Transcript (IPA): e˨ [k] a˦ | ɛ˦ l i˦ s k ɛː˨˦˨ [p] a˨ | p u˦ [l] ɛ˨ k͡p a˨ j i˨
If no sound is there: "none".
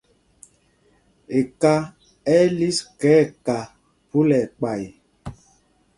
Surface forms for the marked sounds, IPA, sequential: k, k, l

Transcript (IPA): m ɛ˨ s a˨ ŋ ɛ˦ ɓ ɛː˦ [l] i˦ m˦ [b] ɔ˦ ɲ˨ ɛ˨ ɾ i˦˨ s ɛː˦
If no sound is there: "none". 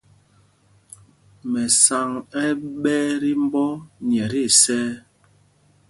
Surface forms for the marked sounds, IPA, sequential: ɾ, b

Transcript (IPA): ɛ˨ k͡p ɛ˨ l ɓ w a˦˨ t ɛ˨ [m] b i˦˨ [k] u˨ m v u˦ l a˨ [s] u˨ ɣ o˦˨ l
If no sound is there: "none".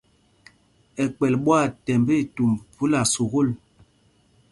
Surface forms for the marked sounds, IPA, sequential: m, t, s

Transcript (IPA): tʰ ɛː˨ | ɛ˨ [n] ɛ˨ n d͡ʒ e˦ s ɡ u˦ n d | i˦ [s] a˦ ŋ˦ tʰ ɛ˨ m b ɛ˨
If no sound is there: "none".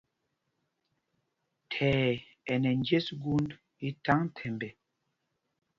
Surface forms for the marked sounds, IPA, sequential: n, t

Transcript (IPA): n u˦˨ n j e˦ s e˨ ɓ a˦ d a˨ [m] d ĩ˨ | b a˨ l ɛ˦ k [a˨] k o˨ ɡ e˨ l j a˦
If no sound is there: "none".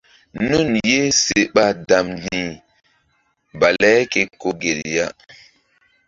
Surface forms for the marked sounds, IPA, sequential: m, e˨

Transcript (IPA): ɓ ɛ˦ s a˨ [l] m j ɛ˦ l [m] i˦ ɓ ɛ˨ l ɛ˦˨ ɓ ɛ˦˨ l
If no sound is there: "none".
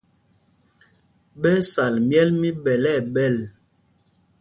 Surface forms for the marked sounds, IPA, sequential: l, m

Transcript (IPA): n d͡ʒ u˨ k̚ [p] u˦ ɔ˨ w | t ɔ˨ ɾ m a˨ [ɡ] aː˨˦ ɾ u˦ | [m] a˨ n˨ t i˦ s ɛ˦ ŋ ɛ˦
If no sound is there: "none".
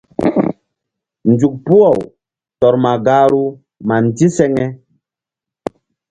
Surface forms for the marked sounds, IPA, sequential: p, ɡ, m

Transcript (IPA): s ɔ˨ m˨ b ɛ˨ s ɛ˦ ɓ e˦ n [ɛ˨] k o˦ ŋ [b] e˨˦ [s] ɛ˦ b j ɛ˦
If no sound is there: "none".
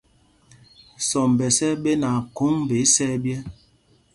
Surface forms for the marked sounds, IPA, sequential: a˨, b, s

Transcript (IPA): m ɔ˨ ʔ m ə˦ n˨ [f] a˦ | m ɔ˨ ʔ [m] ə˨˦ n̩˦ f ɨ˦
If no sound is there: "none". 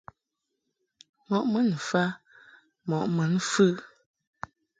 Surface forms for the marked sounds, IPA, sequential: f, m

